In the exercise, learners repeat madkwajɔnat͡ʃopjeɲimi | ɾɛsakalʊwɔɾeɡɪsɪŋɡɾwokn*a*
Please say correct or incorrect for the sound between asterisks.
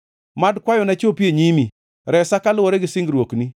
incorrect